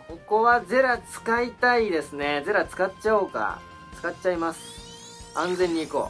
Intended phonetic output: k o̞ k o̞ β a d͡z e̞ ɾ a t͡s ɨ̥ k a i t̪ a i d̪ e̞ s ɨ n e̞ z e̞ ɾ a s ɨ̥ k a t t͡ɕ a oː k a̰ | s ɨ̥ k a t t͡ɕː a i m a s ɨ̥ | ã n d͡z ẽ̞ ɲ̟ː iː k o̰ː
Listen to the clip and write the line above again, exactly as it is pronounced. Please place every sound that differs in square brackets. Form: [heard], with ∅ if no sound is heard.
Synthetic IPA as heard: k o̞ k o̞ β a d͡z e̞ ɾ a t͡s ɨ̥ k a i t̪ a i d̪ e̞ s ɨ n e̞ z e̞ ɾ a [t͡s] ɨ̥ k a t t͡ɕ a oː k a̰ | [t͡s] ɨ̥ k a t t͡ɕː a i m a s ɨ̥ | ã n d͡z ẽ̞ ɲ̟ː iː k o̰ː

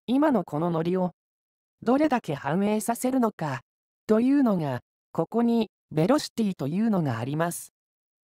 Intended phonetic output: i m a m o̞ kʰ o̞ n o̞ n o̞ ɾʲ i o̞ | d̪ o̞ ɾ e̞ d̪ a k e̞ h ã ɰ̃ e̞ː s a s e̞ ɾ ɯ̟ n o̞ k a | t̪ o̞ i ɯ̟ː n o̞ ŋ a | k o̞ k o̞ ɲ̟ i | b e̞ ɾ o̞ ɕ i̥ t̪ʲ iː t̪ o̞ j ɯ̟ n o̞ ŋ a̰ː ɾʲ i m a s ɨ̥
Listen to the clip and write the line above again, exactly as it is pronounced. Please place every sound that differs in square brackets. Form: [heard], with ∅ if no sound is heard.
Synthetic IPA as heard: i m a [n] o̞ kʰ o̞ n o̞ n o̞ ɾʲ i o̞ | d̪ o̞ ɾ e̞ d̪ a k e̞ h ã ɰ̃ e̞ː s a s e̞ ɾ ɯ̟ n o̞ k a | t̪ o̞ [j] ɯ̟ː n o̞ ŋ a | k o̞ k o̞ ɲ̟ i | b e̞ ɾ o̞ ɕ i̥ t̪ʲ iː t̪ o̞ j [ɯ̟ː] n o̞ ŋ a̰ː ɾʲ i m a s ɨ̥

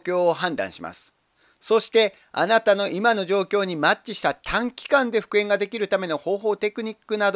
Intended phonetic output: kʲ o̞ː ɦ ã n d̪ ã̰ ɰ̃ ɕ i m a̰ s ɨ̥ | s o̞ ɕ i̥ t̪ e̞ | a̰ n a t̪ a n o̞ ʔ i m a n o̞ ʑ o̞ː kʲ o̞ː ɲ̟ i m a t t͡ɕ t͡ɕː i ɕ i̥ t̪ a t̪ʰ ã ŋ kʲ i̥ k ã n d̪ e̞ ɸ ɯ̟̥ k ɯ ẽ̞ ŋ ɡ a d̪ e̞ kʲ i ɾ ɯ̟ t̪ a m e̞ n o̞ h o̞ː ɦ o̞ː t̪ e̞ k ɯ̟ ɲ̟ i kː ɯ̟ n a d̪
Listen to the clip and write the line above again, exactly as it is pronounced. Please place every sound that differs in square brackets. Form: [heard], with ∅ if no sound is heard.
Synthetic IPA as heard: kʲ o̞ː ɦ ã n d̪ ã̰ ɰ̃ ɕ i m a̰ s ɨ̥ | s o̞ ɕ i̥ t̪ e̞ | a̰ n a t̪ a n o̞ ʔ i m a n o̞ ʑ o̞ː kʲ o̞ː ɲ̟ i m a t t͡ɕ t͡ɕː i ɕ i̥ t̪ a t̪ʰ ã ŋ kʲ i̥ k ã n d̪ e̞ ɸ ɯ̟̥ k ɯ ẽ̞ ŋ ɡ a d̪ e̞ kʲ i ɾ ɯ̟ t̪ a m e̞ n o̞ h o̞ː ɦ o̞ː t̪ e̞ k ɯ̟ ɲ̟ i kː ɯ̟ n a d̪

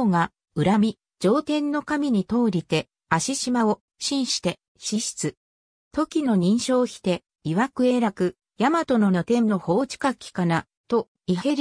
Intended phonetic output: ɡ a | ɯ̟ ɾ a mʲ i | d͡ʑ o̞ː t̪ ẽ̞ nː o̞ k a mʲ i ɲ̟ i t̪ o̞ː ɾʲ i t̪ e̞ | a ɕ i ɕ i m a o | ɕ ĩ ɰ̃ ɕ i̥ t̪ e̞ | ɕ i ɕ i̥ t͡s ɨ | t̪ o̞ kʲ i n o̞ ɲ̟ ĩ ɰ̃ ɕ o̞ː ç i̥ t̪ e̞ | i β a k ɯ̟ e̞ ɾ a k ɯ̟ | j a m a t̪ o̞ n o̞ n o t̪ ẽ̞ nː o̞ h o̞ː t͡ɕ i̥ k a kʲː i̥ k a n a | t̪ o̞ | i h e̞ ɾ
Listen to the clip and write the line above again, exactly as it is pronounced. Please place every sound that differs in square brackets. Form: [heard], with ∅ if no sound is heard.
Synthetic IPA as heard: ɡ a | ɯ̟ ɾ a mʲ i | d͡ʑ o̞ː t̪ ẽ̞ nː o̞ k a mʲ i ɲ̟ i t̪ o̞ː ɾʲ i t̪ e̞ | a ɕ i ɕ i m a o | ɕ ĩ ɰ̃ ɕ i̥ t̪ e̞ | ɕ i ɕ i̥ t͡s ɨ | t̪ o̞ kʲ i n o̞ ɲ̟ ĩ ɰ̃ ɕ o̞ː ç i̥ t̪ e̞ | i β a k ɯ̟ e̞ ɾ a k ɯ̟ | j a m a t̪ o̞ n o̞ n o t̪ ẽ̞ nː o̞ h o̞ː t͡ɕ i̥ k a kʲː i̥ k a n a | t̪ o̞ | i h e̞ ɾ

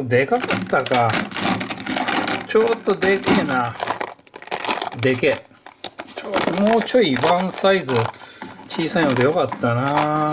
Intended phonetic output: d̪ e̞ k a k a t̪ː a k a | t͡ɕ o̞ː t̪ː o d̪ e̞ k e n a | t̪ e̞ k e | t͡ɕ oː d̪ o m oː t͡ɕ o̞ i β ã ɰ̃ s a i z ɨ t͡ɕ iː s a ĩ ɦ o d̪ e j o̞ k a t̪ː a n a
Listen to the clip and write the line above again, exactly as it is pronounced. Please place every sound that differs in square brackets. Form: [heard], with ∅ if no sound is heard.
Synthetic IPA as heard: d̪ e̞ k a k a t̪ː a k a | t͡ɕ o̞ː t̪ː o d̪ e̞ k e n a | [d̪] e̞ k e | t͡ɕ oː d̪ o m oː t͡ɕ o̞ i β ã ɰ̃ s a i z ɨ t͡ɕ iː s a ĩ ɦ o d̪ e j o̞ k a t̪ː a n a

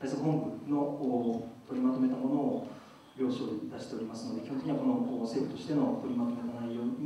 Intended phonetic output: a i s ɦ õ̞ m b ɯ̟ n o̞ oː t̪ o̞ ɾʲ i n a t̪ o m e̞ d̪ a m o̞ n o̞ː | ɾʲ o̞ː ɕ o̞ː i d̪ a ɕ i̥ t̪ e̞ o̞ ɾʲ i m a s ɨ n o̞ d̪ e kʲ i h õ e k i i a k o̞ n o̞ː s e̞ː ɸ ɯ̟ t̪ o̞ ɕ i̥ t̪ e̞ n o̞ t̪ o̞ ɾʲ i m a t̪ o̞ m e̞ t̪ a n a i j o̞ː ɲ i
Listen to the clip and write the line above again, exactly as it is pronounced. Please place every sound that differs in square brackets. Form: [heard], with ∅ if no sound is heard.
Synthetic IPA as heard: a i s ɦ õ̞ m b ɯ̟ n o̞ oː t̪ o̞ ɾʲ i [m] a t̪ o m e̞ [t̪] a m o̞ n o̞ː | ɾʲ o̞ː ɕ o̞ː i d̪ a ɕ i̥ t̪ e̞ o̞ ɾʲ i m a s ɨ n o̞ d̪ e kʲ i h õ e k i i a k o̞ n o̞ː s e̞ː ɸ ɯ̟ t̪ o̞ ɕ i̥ t̪ e̞ n o̞ t̪ o̞ ɾʲ i m a t̪ o̞ m e̞ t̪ a n a i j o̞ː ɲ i

